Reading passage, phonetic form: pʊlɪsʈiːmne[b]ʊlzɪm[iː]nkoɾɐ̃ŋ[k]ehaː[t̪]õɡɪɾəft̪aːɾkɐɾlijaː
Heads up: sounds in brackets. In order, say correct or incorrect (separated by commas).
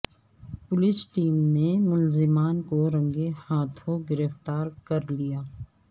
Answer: incorrect, incorrect, incorrect, incorrect